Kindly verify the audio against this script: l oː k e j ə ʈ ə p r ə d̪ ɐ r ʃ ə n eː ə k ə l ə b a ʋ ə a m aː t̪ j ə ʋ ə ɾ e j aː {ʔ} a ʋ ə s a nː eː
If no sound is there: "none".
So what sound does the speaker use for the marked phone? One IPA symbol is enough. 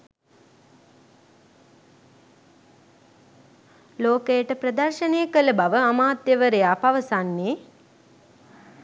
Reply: p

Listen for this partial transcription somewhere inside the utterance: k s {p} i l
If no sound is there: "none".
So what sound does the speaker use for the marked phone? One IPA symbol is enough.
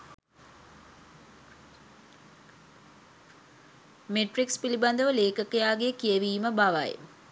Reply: p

